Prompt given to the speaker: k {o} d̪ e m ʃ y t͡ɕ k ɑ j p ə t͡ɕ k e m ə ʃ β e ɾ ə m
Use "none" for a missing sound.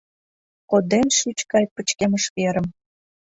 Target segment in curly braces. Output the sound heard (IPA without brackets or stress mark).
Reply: o